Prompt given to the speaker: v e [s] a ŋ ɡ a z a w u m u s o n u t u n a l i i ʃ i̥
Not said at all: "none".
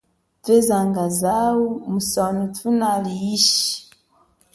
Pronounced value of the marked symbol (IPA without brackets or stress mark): z